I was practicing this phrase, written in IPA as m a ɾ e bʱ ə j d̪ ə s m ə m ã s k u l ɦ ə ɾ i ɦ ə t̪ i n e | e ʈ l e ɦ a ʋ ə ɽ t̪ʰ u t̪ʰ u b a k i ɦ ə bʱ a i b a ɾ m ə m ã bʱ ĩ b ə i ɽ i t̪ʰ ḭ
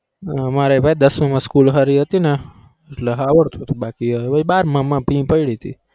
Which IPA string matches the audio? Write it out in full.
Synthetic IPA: m a ɾ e bʱ a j d̪ ə s m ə m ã s k u l ɦ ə ɾ i ɦ ə t̪ i n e | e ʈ l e ɦ a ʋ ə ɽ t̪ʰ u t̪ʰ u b a k i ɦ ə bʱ a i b a ɾ m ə m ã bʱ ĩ p ə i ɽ i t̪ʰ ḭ